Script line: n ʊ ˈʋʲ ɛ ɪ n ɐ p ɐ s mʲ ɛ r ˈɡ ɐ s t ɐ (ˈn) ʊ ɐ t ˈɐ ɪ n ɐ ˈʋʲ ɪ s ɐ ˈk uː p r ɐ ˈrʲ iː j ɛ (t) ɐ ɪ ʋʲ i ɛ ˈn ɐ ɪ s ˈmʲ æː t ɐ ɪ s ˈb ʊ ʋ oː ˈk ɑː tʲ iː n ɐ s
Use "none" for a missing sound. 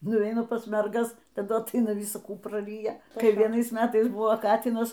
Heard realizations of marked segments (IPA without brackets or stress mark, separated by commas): d, k